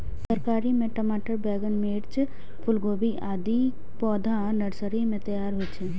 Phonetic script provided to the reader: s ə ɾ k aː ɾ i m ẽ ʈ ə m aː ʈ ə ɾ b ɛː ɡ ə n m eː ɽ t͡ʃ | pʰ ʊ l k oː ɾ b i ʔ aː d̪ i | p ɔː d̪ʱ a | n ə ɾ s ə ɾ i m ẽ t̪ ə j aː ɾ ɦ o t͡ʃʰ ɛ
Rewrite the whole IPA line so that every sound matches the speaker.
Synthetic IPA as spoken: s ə ɾ k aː ɾ i m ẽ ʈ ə m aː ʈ ə ɾ b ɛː ɡ ə n m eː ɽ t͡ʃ | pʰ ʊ l ɡ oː b i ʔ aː d̪ i | p ɔː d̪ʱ a | n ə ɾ s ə ɾ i m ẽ t̪ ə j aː ɾ ɦ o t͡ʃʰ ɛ

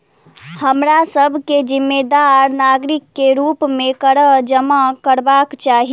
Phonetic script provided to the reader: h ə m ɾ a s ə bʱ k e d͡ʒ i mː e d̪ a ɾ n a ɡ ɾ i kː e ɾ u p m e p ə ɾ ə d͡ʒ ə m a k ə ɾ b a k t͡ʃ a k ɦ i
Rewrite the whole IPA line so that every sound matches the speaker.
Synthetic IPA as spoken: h ə m ɾ a s ə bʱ k e d͡ʒ i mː e d̪ a ɾ n a ɡ ɾ i kː e ɾ u p m e k ə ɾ ə d͡ʒ ə m a k ə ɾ b a k t͡ʃ a ɦ i

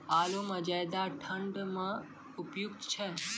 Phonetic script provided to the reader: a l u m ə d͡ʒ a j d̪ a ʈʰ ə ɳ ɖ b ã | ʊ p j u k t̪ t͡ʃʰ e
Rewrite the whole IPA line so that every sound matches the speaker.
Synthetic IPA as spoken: a l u m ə d͡ʒ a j d̪ a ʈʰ ə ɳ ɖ m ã | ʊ p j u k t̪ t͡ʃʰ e

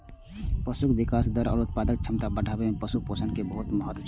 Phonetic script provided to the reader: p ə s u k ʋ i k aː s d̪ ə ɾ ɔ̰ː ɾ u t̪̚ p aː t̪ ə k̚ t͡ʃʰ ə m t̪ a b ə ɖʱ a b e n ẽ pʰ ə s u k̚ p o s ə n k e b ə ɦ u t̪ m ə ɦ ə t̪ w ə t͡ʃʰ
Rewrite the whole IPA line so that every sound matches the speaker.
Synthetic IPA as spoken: p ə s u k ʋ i k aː s d̪ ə ɾ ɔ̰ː ɾ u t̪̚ p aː d̪ ə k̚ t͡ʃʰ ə m t̪ a b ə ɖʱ a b e m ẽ p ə s u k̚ p o s ə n k e b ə ɦ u t̪ m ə ɦ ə t̪ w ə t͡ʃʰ

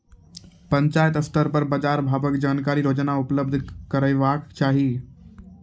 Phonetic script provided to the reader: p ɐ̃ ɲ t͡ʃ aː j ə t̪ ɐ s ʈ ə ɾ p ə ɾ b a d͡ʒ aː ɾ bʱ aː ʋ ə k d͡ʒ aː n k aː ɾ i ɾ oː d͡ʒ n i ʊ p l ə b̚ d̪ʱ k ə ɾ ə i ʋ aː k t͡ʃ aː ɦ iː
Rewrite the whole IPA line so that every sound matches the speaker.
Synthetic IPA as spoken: p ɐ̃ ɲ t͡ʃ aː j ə t̪ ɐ s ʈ ə ɾ p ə ɾ b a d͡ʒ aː ɾ bʱ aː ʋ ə k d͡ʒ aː n k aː ɾ i ɾ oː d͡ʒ n a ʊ p l ə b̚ d̪ʱ k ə ɾ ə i ʋ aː k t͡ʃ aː ɦ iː

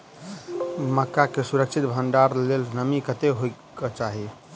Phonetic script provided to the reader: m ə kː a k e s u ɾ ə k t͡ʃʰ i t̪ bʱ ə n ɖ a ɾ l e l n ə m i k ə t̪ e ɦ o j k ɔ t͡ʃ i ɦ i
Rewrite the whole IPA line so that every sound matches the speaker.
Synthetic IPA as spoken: m ə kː a k e s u ɾ ə k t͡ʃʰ i t̪ bʱ ə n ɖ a ɾ l e l n ə m i k ə t̪ e ɦ o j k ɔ t͡ʃ a ɦ i

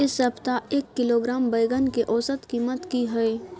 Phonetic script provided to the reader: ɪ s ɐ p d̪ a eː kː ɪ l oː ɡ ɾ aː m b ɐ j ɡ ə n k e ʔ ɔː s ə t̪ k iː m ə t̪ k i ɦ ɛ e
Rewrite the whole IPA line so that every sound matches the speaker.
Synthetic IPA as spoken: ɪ s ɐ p t̪ a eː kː ɪ l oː ɡ ɾ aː m b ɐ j ɡ ə n k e ʔ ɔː s ə t̪ k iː m ə t̪ k i ɦ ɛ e

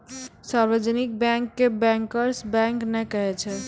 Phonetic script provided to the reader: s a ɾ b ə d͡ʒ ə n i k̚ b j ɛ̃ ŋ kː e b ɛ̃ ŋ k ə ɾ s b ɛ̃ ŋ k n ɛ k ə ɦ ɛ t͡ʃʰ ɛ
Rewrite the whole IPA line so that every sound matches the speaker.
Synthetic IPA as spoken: s a ɾ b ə d͡ʒ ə n i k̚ b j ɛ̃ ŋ kː e b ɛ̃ ŋ k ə ɾ s b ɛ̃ ŋ k n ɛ k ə ɦ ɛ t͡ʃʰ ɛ

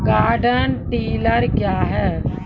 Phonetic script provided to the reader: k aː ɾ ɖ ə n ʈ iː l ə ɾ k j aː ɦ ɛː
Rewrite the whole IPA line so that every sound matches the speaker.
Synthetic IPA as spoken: ɡ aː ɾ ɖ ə n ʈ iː l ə ɾ k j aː ɦ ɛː

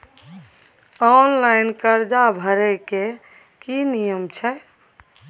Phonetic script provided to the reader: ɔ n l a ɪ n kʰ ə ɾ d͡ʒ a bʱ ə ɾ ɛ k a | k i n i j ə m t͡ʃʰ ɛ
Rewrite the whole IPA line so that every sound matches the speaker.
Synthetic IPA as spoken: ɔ n l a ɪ n k ə ɾ d͡ʒ a bʱ ə ɾ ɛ k e | k i n i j ə m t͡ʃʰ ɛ

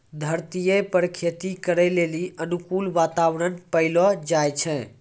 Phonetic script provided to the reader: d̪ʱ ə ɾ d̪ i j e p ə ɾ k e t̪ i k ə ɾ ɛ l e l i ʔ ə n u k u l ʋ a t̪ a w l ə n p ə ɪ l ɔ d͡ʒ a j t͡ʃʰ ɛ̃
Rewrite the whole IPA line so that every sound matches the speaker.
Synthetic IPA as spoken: d̪ʱ ə ɾ t̪ i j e p ə ɾ kʰ e t̪ i k ə ɾ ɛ l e l i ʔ ə n u k u l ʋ a t̪ a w ɾ ə n p ə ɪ l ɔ d͡ʒ a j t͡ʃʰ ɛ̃

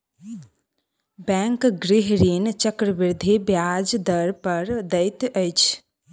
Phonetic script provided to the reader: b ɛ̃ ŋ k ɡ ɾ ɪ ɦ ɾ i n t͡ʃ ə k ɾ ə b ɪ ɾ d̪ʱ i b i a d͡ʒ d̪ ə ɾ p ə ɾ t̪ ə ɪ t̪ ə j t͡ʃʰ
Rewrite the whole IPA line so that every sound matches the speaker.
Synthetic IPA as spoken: b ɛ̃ ŋ k ɡ ɾ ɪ ɦ ɾ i n t͡ʃ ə k ɾ ə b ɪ ɾ d̪ʱ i b j a d͡ʒ d̪ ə ɾ p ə ɾ d̪ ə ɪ t̪ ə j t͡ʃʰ

